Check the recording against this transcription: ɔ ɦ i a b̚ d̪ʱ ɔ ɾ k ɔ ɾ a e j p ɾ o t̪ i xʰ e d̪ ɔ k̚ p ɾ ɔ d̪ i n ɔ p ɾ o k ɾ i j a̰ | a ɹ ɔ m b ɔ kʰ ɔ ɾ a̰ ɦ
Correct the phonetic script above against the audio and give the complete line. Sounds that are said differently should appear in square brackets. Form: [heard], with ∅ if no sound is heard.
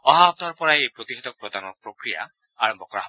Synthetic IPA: ɔ ɦ [a] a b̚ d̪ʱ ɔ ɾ [p] ɔ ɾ a e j p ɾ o t̪ i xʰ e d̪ ɔ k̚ p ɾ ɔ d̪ [a] n ɔ p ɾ o k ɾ i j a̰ | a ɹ ɔ m b ɔ [k] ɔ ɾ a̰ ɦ